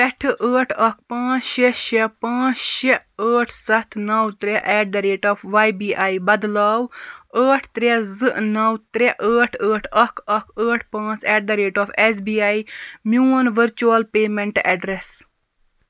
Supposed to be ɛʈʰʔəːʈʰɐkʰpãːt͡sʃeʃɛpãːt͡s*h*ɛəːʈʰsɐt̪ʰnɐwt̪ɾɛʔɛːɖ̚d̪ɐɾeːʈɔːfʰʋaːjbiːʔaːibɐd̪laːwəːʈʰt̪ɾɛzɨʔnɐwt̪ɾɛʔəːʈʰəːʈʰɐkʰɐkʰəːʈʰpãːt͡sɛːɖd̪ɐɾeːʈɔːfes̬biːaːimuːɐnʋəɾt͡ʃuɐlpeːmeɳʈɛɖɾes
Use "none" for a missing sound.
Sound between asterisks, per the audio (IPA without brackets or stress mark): ʃ